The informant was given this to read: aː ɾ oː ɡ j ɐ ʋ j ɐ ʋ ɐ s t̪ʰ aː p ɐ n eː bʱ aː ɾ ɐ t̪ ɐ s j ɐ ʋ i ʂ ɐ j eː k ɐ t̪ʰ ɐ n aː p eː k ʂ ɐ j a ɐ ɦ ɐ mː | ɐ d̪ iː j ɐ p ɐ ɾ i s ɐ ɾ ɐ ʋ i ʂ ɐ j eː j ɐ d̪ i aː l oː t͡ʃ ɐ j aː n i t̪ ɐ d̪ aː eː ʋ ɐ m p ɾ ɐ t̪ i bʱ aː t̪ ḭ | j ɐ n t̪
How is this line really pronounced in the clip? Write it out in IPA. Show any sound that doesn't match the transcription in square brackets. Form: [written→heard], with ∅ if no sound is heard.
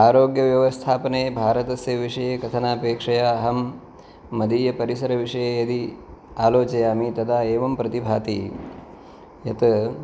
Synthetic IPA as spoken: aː ɾ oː ɡ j ɐ ʋ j ɐ ʋ ɐ s t̪ʰ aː p ɐ n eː bʱ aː ɾ ɐ t̪ ɐ s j ɐ ʋ i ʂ ɐ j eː k ɐ t̪ʰ ɐ n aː p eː k ʂ ɐ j a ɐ ɦ ɐ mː | ɐ d̪ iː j ɐ p ɐ ɾ i s ɐ ɾ ɐ ʋ i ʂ ɐ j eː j ɐ d̪ i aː l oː t͡ʃ ɐ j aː [n→m] i t̪ ɐ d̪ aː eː ʋ ɐ m p ɾ ɐ t̪ i bʱ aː t̪ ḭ | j ɐ [n→∅] t̪

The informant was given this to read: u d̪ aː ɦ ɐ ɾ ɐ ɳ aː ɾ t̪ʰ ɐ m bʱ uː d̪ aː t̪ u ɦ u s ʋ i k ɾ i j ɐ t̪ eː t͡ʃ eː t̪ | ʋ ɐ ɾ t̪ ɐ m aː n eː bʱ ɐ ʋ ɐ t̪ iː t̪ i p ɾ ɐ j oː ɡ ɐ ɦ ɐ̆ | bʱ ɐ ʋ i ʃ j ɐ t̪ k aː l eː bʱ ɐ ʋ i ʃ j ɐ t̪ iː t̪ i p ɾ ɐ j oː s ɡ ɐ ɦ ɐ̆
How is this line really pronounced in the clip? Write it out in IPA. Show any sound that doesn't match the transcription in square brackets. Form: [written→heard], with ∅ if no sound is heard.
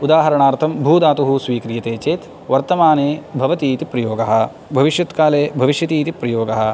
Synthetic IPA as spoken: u d̪ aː ɦ ɐ ɾ ɐ ɳ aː ɾ t̪ʰ ɐ m bʱ uː d̪ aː t̪ u ɦ u s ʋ [i→iː] k ɾ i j ɐ t̪ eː t͡ʃ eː t̪ | ʋ ɐ ɾ t̪ ɐ m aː n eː bʱ ɐ ʋ ɐ t̪ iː t̪ i p ɾ ɐ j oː ɡ ɐ ɦ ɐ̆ | bʱ ɐ ʋ i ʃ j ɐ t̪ k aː l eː bʱ ɐ ʋ i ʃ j ɐ t̪ iː t̪ i p ɾ ɐ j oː [s→∅] ɡ ɐ ɦ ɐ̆

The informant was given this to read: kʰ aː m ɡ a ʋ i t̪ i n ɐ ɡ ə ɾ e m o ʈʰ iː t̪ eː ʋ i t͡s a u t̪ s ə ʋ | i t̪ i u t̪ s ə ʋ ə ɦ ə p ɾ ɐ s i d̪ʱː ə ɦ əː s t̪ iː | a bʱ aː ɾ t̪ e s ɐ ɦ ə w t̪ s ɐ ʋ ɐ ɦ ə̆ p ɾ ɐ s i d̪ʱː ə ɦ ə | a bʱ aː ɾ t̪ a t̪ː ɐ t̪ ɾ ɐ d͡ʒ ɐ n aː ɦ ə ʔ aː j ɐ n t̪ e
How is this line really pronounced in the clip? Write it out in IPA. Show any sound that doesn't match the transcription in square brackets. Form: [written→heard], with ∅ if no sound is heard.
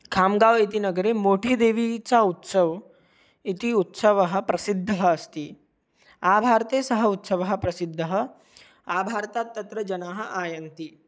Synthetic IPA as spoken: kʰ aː m ɡ a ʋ i t̪ i n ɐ ɡ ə ɾ e m o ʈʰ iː [t̪→d̪] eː ʋ i t͡s a u t̪ s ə ʋ | i t̪ i u t̪ s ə ʋ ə ɦ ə p ɾ ɐ s i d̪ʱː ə ɦ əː s t̪ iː | a bʱ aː ɾ t̪ e s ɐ ɦ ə [w→u] t̪ s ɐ ʋ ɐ ɦ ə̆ p ɾ ɐ s i d̪ʱː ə ɦ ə | a bʱ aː ɾ t̪ a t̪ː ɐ t̪ ɾ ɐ d͡ʒ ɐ n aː ɦ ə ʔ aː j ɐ n t̪ [e→i]

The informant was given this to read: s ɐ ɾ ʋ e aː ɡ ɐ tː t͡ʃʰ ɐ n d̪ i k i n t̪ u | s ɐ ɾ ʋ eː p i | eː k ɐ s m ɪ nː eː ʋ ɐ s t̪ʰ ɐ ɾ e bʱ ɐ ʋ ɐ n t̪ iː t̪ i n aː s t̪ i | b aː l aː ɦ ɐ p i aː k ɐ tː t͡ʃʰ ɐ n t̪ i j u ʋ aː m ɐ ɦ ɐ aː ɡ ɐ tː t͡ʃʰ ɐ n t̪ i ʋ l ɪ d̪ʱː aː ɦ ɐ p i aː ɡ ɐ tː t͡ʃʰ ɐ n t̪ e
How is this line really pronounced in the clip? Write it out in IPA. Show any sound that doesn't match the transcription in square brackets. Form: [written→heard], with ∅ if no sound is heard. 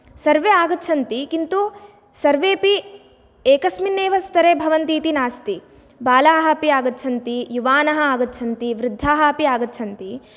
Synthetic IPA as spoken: s ɐ ɾ ʋ e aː ɡ ɐ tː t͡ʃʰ ɐ n [d̪→t̪] i k i n t̪ u | s ɐ ɾ ʋ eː p i | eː k ɐ s m [ɪ→i] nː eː ʋ ɐ s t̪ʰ ɐ ɾ e bʱ ɐ ʋ ɐ n t̪ iː t̪ i n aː s t̪ i | b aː l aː ɦ ɐ p i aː [k→ɡ] ɐ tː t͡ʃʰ ɐ n t̪ i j u ʋ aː [m→n] ɐ ɦ ɐ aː ɡ ɐ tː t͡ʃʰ ɐ n t̪ i ʋ [l→ɾ] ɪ d̪ʱː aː ɦ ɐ p i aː ɡ ɐ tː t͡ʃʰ ɐ n t̪ [e→i]

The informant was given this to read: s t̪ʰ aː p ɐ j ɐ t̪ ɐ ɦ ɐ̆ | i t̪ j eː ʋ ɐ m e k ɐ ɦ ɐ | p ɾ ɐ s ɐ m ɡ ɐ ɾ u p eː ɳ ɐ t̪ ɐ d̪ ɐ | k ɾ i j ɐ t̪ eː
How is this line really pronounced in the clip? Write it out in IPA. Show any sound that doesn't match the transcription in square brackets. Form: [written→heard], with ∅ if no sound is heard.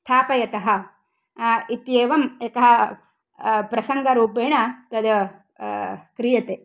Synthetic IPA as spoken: s t̪ʰ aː p ɐ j ɐ t̪ ɐ ɦ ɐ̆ | i t̪ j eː ʋ ɐ m e k ɐ ɦ ɐ | p ɾ ɐ s ɐ [m→ŋ] ɡ ɐ ɾ [u→uː] p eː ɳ ɐ t̪ ɐ d̪ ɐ | k ɾ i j ɐ t̪ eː

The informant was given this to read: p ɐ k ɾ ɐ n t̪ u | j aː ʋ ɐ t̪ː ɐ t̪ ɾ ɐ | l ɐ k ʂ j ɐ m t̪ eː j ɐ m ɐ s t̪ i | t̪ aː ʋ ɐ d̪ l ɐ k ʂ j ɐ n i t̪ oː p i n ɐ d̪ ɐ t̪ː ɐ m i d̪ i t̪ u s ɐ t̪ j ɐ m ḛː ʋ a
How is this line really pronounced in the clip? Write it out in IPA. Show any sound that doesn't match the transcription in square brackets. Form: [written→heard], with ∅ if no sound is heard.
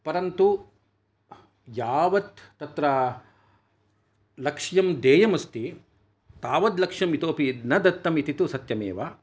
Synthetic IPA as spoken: p ɐ [k→∅] ɾ ɐ n t̪ u | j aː ʋ ɐ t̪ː ɐ t̪ ɾ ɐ | l ɐ k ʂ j ɐ m [t̪→d̪] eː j ɐ m ɐ s t̪ i | t̪ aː ʋ ɐ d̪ l ɐ k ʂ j ɐ [n→m] i t̪ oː p i n ɐ d̪ ɐ t̪ː ɐ m i [d̪→t̪] i t̪ u s ɐ t̪ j ɐ m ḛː ʋ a

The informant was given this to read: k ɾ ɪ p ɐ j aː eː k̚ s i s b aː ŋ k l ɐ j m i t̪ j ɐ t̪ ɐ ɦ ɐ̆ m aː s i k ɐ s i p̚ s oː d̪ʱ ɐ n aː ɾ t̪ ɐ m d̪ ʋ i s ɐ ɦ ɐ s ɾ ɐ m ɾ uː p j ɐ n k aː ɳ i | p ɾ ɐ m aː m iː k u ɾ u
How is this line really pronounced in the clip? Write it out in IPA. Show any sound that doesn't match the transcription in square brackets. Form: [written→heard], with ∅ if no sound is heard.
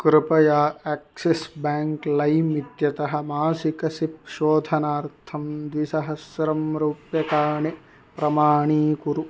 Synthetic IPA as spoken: k ɾ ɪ p ɐ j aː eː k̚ s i s b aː ŋ k l ɐ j m i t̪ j ɐ t̪ ɐ ɦ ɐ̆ m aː s i k ɐ s i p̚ [s→ʃ] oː d̪ʱ ɐ n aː ɾ [t̪→t̪ʰ] ɐ m d̪ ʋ i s ɐ ɦ ɐ s ɾ ɐ m ɾ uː p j ɐ [n→∅] k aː ɳ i | p ɾ ɐ m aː [m→ɳ] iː k u ɾ u

